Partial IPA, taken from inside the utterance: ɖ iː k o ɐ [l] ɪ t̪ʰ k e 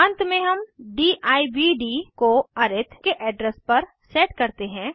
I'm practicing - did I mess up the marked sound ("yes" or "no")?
yes